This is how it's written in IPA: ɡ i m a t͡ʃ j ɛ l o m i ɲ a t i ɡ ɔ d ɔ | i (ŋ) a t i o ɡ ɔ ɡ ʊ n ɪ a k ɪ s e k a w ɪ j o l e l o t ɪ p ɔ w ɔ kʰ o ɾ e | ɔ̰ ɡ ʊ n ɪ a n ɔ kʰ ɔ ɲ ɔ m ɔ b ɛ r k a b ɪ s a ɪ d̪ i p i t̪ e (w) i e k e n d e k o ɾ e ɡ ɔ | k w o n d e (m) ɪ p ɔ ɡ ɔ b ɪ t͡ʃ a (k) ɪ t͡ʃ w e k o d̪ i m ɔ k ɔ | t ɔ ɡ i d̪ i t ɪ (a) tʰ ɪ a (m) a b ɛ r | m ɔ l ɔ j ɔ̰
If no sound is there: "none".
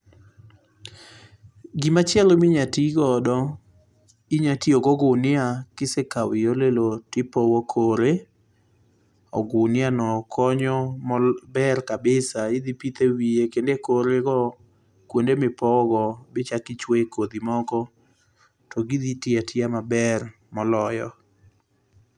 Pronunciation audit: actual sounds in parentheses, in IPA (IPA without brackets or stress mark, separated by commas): ɲ, w, m, k, a, m